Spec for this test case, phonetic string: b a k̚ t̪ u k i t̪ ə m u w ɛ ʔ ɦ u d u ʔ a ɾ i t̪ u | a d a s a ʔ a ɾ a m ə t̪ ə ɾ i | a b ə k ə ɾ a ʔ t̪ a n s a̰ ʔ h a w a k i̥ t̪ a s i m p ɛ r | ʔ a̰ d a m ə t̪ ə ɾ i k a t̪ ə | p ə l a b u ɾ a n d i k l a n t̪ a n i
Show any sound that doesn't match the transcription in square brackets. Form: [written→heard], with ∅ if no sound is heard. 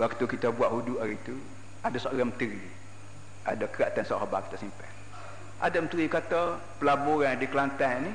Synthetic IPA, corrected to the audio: [b→w] a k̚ t̪ u k i t̪ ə [m→b] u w [ɛ→a] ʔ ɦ u d u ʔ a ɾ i t̪ u | a d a s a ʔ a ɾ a m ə t̪ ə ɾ i | a [b→d] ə k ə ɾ a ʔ t̪ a n s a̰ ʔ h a [w→b] a k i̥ t̪ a s i m p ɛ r | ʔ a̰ d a m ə t̪ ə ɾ i k a t̪ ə | p ə l a b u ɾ a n d i k l a n t̪ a n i